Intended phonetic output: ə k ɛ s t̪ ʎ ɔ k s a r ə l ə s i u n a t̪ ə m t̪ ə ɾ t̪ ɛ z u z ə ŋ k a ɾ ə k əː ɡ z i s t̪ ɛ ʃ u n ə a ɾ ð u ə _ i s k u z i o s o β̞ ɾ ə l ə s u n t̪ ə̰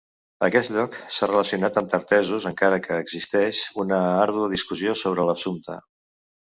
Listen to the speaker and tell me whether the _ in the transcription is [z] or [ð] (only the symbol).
ð